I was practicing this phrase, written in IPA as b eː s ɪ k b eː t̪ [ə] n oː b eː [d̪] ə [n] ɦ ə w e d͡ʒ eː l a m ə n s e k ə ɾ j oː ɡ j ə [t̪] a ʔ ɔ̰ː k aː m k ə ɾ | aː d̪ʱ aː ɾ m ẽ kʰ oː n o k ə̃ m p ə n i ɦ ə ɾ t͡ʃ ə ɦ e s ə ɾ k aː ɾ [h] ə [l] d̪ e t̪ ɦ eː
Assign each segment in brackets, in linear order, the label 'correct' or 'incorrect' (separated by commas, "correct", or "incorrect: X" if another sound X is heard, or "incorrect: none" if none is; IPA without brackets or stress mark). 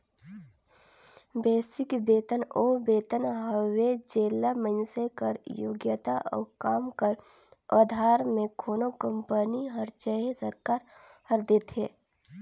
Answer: correct, incorrect: t̪, correct, correct, correct, incorrect: ɾ